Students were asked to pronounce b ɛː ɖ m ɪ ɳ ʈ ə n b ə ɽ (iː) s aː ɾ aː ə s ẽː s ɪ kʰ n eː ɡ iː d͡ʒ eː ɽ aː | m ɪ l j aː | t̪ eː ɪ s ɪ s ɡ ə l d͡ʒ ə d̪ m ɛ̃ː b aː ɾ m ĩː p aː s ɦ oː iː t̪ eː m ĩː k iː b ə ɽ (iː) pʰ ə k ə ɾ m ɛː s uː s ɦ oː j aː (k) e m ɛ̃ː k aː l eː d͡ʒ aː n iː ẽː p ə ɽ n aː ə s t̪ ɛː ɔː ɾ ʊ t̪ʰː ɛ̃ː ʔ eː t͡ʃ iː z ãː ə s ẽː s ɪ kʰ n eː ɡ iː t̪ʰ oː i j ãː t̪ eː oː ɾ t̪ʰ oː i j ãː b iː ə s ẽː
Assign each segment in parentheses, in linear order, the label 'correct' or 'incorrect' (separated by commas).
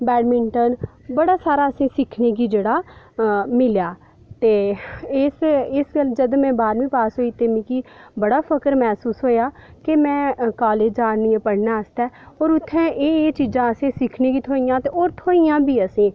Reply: incorrect, incorrect, correct